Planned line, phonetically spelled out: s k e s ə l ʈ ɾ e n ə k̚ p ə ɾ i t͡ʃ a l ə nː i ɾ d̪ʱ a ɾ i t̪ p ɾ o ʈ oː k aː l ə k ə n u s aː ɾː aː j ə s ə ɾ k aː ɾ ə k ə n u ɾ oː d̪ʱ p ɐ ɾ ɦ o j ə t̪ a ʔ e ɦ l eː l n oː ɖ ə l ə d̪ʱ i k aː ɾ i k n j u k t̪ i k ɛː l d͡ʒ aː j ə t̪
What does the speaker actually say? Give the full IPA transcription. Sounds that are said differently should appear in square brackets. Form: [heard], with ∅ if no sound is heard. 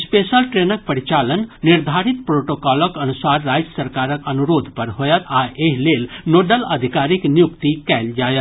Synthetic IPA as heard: s [p] e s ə l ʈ ɾ e n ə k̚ p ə ɾ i t͡ʃ a l ə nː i ɾ d̪ʱ a ɾ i t̪ p ɾ o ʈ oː k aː l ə k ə n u s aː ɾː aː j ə s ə ɾ k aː ɾ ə k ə n u ɾ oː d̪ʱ p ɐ ɾ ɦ o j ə t̪ a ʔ e ɦ l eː l n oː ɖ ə l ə d̪ʱ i k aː ɾ i k n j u k t̪ i k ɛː l d͡ʒ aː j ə t̪